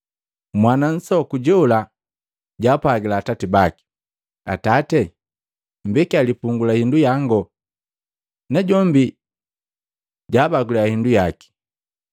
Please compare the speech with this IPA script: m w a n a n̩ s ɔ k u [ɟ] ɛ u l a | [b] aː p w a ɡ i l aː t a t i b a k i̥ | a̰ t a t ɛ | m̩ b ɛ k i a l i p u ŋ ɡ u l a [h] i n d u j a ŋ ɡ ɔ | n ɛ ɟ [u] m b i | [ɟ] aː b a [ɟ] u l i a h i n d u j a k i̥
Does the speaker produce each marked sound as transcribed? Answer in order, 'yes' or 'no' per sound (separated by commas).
yes, no, yes, no, yes, no